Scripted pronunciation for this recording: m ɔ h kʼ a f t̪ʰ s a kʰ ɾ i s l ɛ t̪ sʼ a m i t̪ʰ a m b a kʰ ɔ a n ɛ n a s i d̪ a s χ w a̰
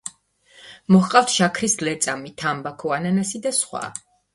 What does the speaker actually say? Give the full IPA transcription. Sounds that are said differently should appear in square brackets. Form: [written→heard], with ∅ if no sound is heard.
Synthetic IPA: m ɔ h [kʼ→qʼ] a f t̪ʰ [s→ʃ] a kʰ ɾ i s l ɛ t̪ sʼ a m i t̪ʰ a m b a kʰ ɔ a n [ɛ→a] n a s i d̪ a s χ w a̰